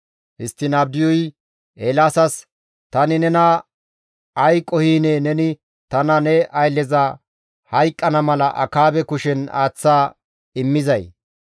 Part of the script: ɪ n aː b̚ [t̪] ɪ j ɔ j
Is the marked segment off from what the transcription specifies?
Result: yes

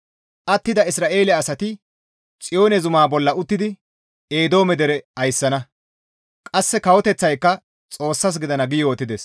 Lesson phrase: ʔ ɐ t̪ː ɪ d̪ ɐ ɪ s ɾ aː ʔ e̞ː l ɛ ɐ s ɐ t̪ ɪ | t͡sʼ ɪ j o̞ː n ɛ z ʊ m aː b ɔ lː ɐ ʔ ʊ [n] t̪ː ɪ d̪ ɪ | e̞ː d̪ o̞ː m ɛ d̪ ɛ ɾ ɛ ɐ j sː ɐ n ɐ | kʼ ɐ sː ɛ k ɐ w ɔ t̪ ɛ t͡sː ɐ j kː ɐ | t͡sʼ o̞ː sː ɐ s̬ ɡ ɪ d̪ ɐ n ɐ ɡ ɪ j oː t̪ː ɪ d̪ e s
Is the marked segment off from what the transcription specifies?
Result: yes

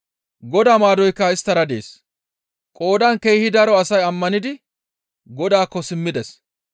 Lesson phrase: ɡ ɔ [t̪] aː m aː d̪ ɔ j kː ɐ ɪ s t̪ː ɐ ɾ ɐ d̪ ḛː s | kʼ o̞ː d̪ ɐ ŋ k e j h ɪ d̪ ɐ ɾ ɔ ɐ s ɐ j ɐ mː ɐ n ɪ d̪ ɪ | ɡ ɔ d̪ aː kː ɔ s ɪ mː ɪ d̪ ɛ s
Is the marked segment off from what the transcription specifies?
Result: yes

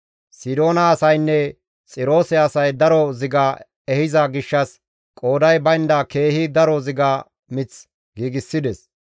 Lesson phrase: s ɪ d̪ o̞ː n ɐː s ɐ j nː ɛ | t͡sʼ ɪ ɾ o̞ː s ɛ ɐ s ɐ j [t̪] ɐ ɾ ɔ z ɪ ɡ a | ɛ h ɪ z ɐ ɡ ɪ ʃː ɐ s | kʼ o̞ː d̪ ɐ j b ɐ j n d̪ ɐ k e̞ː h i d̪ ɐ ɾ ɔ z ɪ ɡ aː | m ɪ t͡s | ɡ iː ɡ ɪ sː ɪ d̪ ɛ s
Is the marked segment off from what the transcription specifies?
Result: yes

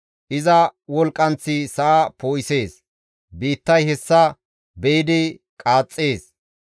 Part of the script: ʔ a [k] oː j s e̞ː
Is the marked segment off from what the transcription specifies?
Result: yes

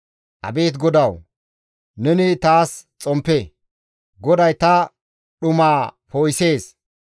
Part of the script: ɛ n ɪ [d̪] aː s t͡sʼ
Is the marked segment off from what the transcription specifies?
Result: yes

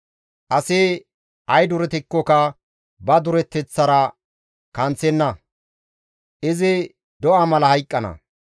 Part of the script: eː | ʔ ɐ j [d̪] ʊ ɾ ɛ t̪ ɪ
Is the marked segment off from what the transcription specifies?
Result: no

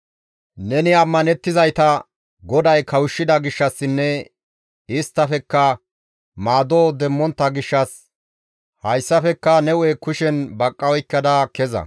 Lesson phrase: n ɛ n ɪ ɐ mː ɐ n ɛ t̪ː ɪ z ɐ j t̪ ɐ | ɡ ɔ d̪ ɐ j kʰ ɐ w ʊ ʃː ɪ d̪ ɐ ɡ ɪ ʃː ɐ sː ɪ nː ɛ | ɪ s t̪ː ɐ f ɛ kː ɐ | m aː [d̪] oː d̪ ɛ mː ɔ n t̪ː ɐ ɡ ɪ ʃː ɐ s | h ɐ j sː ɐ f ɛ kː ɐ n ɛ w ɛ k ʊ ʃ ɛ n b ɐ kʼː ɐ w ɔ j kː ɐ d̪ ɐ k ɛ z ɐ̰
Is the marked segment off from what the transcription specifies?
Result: no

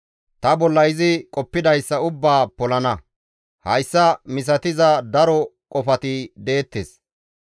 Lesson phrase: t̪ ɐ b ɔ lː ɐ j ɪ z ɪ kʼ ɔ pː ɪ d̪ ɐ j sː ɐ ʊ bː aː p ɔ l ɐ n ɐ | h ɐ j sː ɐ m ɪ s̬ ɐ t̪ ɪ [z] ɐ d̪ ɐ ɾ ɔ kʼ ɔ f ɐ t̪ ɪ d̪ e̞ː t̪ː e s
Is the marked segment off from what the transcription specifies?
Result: no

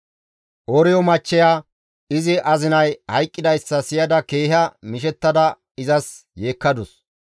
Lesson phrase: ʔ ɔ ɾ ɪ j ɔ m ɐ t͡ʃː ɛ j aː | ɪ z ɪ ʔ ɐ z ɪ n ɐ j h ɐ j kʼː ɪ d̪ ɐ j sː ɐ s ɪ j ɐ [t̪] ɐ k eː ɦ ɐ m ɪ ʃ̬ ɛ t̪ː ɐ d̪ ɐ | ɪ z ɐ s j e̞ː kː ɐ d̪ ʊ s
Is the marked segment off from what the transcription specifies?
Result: yes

